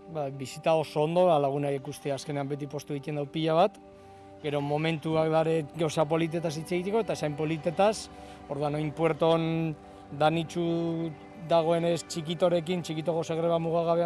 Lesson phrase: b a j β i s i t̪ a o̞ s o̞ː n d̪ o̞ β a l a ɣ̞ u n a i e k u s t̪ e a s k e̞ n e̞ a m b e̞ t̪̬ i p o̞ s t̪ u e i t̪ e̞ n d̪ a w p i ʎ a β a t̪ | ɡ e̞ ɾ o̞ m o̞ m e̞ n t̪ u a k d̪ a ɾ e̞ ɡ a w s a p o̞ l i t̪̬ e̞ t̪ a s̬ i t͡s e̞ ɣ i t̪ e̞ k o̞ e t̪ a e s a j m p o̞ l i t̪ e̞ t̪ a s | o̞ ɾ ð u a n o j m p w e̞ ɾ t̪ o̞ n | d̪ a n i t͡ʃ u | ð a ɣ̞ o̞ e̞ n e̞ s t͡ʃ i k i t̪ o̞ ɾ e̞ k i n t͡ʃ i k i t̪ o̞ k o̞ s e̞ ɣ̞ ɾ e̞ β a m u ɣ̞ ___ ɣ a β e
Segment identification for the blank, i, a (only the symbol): a